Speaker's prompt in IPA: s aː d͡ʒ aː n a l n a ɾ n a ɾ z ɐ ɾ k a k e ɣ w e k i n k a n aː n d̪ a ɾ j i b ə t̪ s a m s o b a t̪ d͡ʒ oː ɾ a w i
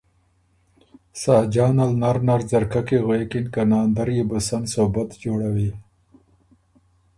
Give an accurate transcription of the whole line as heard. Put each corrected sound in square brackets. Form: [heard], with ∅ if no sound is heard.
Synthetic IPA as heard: s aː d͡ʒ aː n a l n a ɾ n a ɾ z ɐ ɾ k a k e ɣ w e k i n k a n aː n d̪ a ɾ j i b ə [∅] s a [n] s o b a t̪ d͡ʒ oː [ɽ] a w i